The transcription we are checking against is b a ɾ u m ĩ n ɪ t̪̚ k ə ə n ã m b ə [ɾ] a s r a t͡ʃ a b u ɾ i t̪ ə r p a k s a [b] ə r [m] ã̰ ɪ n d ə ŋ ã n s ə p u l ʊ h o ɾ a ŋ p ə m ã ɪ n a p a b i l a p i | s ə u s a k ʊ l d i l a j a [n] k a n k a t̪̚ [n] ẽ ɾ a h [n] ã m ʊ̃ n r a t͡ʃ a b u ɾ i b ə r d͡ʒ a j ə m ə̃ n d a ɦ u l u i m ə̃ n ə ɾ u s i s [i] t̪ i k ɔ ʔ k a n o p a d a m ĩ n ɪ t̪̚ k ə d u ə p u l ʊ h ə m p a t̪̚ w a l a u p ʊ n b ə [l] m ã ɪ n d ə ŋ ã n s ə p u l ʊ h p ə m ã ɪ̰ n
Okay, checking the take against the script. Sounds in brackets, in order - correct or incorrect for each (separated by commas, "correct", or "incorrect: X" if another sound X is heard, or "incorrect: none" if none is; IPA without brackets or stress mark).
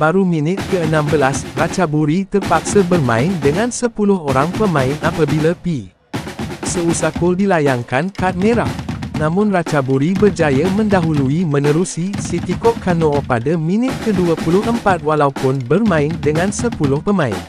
incorrect: l, correct, correct, incorrect: ŋ, incorrect: m, correct, correct, incorrect: r